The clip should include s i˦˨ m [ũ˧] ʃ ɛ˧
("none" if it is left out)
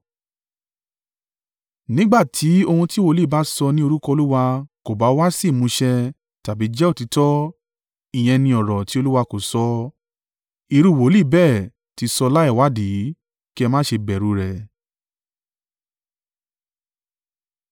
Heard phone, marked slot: ũ˧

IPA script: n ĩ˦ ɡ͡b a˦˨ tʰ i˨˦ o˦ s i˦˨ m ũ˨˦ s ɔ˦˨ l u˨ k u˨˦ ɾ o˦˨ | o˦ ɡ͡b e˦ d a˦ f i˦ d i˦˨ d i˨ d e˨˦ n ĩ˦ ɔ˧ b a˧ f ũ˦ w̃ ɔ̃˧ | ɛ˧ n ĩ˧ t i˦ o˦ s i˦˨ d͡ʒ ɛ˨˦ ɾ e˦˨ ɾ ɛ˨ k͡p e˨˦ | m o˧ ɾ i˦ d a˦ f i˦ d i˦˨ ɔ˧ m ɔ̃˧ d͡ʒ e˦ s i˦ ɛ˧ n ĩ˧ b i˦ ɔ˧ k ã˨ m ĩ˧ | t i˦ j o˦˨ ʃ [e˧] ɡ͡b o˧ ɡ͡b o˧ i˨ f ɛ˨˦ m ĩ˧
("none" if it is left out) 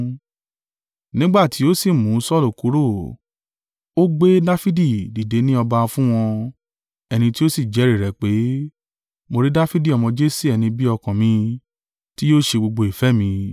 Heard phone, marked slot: e˧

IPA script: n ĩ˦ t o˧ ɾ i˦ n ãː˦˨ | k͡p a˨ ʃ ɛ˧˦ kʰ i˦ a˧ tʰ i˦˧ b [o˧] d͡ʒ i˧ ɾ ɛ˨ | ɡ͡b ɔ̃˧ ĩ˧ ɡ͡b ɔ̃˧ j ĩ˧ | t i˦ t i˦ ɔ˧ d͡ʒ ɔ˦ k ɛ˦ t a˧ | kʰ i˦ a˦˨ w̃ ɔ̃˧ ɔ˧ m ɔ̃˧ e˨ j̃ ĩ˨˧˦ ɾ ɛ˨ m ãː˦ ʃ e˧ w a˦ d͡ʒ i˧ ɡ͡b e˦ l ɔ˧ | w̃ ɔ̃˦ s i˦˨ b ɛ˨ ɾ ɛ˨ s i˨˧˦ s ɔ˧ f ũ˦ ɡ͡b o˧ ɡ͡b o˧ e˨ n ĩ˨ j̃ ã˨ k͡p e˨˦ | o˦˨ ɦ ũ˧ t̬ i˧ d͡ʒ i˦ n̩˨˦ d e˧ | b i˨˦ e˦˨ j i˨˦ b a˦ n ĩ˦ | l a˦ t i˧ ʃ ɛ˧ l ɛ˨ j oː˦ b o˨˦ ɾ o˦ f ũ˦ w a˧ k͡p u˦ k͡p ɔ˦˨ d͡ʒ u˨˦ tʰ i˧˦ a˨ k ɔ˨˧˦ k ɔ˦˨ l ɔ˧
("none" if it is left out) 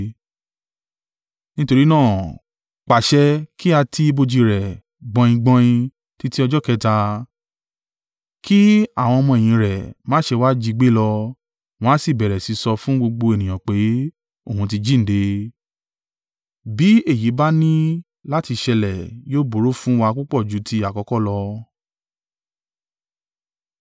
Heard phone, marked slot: o˧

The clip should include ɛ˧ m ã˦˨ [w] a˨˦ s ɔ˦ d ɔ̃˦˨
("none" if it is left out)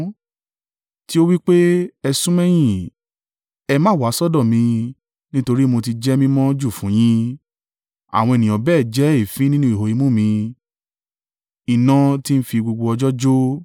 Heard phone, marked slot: w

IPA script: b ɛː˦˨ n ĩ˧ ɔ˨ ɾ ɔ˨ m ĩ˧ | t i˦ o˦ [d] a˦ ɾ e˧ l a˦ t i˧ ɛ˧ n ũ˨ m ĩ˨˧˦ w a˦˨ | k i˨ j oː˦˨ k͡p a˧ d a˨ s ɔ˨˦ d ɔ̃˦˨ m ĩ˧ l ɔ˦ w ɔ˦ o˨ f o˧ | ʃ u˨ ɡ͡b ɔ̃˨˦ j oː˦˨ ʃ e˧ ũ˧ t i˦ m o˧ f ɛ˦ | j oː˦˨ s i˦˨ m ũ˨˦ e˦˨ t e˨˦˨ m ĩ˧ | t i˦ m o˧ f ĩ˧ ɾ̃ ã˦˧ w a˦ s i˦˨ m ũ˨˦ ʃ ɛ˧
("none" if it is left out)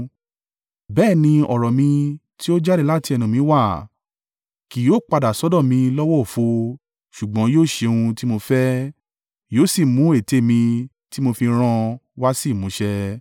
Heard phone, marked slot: d͡ʒ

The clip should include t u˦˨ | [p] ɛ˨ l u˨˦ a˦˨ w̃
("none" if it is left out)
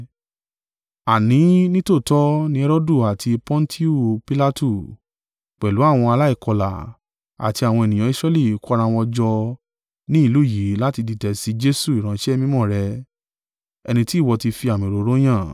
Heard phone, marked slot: k͡p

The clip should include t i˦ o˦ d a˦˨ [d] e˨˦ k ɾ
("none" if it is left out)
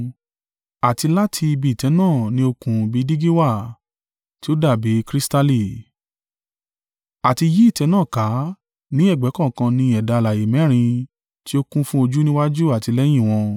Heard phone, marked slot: b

